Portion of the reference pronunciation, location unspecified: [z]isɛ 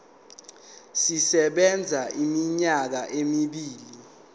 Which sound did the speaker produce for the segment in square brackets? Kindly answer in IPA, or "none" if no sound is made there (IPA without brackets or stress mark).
s